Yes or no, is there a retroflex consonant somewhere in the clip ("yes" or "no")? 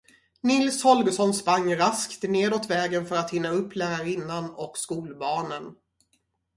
no